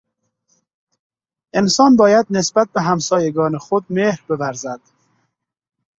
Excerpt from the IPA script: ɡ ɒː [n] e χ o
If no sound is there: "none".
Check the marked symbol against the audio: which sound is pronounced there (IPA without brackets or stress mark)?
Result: n